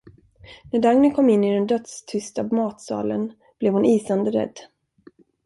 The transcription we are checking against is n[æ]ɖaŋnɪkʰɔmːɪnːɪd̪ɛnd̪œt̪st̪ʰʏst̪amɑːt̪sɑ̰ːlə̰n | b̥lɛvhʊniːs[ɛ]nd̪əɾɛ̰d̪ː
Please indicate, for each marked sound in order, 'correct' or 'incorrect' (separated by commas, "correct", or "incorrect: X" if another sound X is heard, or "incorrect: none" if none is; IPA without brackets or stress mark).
correct, incorrect: a